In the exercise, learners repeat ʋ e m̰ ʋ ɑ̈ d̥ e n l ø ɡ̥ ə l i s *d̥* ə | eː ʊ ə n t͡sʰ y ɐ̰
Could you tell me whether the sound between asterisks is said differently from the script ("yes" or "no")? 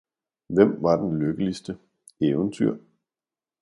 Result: no